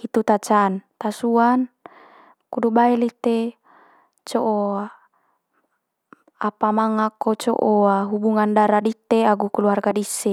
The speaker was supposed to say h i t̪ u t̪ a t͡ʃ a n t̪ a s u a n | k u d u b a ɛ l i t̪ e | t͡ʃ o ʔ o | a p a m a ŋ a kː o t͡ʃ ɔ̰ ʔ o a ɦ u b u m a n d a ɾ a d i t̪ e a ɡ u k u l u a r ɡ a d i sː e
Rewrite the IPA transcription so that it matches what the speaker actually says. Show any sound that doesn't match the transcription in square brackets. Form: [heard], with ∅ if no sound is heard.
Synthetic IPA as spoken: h i t̪ u t̪ a t͡ʃ a n t̪ a s u a n | k u d u b a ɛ l i t̪ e | t͡ʃ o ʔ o | a p a m a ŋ a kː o t͡ʃ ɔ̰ ʔ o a ɦ u b u [ŋ] a n d a ɾ a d i t̪ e a ɡ u k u l u a r ɡ a d i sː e